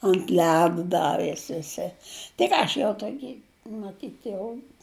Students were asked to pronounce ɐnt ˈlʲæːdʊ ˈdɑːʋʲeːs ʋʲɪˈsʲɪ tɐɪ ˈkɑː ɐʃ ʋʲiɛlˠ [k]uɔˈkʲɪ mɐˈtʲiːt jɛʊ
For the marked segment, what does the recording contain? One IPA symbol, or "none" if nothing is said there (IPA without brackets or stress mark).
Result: t